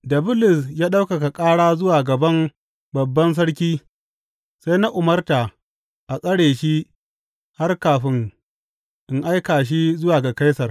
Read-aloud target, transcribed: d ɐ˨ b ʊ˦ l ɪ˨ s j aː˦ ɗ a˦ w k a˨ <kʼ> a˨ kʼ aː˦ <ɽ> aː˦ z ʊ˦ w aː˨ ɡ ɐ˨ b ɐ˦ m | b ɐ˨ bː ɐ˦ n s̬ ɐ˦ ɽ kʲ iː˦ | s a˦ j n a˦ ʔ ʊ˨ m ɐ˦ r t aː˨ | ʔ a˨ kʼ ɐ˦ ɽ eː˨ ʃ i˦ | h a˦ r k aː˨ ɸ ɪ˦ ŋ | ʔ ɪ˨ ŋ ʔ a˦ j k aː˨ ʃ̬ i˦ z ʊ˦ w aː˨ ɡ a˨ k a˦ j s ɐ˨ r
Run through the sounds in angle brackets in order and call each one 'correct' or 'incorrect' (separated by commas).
incorrect, correct